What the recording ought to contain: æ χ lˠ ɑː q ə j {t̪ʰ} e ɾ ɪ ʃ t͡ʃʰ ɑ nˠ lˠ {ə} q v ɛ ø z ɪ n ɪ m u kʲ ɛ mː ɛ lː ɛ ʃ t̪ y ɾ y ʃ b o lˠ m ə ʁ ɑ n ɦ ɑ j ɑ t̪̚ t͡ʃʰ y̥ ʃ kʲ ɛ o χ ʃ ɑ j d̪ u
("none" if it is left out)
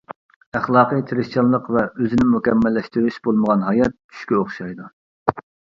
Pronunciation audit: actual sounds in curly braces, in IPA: t̪ʰ, ə

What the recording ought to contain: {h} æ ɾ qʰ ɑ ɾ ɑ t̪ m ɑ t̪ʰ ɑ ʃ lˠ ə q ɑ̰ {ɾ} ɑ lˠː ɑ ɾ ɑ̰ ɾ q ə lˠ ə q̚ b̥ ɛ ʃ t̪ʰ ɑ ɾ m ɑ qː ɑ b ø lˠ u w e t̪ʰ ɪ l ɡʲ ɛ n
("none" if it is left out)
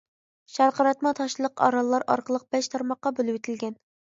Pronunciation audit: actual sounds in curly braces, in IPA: ʃ, ɾ

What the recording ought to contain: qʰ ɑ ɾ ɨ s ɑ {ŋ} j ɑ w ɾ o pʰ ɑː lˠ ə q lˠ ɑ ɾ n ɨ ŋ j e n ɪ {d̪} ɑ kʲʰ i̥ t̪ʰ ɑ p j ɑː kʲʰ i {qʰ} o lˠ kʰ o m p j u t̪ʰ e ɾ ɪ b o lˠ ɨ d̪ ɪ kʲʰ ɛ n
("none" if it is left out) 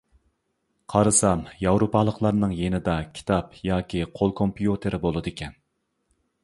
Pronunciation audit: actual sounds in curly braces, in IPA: m, d̪, qʰ

